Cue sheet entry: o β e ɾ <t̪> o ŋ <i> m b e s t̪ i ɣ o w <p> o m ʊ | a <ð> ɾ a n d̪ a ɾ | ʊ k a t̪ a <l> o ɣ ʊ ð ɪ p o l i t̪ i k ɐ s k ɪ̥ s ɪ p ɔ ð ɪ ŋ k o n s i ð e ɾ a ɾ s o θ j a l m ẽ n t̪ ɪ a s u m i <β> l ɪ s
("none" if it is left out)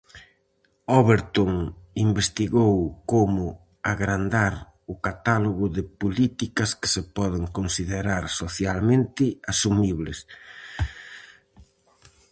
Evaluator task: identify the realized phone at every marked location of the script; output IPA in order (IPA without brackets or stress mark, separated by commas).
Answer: t̪, i, k, ɣ, l, β